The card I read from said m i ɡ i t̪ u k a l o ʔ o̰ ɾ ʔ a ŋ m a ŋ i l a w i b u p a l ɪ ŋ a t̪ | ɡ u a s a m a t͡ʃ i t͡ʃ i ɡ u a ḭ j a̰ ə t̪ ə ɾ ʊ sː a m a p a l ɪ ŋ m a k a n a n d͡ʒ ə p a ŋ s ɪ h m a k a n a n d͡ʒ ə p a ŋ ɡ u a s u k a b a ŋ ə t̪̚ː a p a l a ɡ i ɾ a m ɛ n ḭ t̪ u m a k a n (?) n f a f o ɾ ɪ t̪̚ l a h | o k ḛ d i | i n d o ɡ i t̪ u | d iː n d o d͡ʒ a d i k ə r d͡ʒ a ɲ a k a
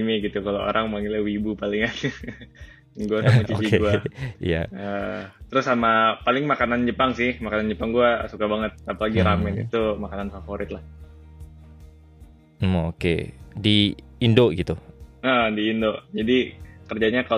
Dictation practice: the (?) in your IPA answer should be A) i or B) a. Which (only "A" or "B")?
B